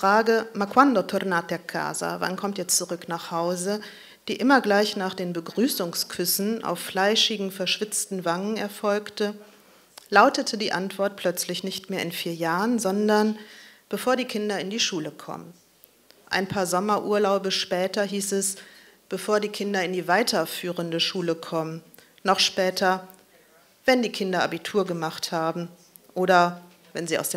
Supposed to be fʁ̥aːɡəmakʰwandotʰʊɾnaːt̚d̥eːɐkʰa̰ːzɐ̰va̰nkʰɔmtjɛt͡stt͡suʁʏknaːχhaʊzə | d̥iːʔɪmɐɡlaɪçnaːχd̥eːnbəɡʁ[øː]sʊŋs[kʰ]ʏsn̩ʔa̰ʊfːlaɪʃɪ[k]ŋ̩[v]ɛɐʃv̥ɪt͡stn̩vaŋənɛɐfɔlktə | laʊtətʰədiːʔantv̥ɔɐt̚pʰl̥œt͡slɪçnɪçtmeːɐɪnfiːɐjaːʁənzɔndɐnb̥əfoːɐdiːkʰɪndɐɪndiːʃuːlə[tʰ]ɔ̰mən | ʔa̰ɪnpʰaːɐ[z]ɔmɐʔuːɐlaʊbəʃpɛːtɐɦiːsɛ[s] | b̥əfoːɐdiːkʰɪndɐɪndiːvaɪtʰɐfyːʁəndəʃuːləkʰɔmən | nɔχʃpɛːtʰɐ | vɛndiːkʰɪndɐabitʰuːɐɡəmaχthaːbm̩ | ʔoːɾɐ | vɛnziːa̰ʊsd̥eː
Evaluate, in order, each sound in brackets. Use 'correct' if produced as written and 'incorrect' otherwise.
incorrect: yː, correct, incorrect: ɡ, incorrect: f, incorrect: kʰ, correct, correct

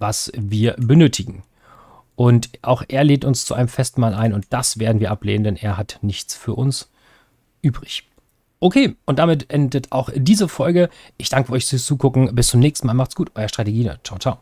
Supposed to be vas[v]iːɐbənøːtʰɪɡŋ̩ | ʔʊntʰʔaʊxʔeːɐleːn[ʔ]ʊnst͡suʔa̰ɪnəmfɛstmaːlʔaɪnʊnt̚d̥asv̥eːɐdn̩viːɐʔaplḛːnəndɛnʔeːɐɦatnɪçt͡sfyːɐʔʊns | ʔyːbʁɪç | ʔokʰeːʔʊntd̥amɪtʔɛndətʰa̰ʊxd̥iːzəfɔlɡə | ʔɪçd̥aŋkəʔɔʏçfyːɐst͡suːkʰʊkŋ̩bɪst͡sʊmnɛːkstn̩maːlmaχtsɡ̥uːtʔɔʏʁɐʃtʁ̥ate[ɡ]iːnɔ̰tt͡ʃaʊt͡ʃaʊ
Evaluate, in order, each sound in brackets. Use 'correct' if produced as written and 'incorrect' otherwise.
correct, incorrect: t, correct

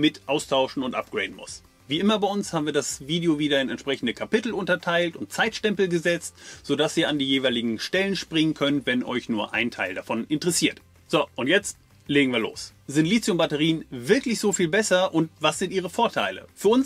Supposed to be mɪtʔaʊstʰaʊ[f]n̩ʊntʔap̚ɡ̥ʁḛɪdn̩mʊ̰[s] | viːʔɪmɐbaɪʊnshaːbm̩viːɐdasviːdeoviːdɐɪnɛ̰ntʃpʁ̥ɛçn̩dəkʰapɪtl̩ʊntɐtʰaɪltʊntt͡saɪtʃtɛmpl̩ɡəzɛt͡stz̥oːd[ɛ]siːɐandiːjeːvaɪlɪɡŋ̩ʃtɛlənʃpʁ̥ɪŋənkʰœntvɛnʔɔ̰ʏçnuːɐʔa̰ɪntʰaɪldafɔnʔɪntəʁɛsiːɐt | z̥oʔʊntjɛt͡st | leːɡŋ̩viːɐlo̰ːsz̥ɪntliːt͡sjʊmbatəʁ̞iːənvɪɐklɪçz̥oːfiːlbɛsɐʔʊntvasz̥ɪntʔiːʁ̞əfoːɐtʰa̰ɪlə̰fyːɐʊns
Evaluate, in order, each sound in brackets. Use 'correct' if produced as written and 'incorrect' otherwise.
incorrect: ʃ, correct, incorrect: a

